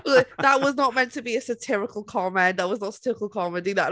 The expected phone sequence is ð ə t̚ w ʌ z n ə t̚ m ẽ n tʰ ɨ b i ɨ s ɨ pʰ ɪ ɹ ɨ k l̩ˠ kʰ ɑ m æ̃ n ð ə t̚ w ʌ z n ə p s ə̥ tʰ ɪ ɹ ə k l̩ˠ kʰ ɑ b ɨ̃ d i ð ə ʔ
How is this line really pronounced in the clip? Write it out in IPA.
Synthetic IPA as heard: ð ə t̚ w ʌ z n ə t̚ m ɛ̃ n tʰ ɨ b i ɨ s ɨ tʰ ɪ ɹ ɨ k l̩ˠ kʰ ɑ m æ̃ n ð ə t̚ w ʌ z n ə t s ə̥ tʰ ɪ ɹ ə k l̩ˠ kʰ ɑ m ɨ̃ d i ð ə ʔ